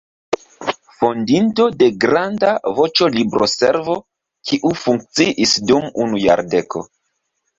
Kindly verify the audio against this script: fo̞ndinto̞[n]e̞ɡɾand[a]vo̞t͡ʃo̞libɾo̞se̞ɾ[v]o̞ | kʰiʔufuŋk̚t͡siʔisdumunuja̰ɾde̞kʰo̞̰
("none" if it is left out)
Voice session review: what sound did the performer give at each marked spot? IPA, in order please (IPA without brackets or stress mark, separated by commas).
d, a, v